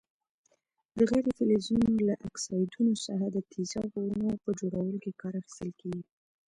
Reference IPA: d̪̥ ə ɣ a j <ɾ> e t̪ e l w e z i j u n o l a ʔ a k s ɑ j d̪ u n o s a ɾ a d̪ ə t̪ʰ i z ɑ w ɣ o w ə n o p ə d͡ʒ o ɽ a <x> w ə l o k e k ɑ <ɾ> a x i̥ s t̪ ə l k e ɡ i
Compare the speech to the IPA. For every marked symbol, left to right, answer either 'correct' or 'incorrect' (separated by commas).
correct, incorrect, correct